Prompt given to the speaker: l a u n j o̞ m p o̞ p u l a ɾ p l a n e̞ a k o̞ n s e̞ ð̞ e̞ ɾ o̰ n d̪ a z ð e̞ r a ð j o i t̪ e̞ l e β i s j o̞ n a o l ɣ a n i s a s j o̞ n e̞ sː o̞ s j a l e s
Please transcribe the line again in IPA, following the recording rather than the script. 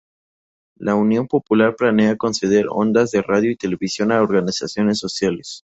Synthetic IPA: l a u n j o̞ m p o̞ p u l a ɾ p l a n e̞ a k o̞ n s e̞ ð̞ e̞ ɾ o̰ n d̪ a z ð e̞ r a ð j o i t̪ e̞ l e β i s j o̞ n a o ɾ ɣ a n i s a s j o̞ n e̞ sː o̞ s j a l e s